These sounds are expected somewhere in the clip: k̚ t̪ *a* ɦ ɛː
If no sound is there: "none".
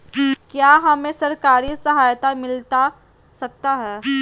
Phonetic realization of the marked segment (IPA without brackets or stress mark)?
a